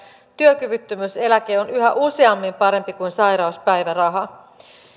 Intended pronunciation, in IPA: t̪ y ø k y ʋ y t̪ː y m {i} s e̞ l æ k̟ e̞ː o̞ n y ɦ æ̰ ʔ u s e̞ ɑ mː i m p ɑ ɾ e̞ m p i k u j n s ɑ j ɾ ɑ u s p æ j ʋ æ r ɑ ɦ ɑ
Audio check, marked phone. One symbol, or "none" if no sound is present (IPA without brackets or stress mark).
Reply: y